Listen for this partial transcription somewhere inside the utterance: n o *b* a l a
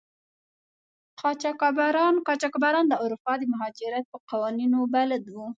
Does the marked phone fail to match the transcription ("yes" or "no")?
no